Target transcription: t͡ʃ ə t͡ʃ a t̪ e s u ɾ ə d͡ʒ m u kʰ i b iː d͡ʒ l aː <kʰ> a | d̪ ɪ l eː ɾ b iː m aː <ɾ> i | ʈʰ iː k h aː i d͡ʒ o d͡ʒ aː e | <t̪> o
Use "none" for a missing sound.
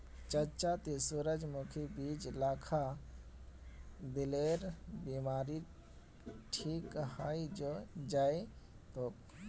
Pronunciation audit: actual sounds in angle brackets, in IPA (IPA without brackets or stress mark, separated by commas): kʰ, ɾ, t̪